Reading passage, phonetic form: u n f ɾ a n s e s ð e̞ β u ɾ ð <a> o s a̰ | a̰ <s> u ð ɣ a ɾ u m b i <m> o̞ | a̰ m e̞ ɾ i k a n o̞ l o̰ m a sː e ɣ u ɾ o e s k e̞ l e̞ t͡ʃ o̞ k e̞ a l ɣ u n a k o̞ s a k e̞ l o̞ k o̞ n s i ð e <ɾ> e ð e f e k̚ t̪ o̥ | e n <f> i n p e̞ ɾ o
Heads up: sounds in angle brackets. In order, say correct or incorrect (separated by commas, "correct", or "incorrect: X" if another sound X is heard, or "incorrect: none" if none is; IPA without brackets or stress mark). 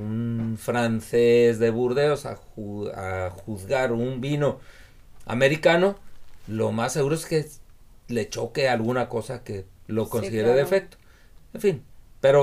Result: incorrect: e, incorrect: x, incorrect: n, correct, correct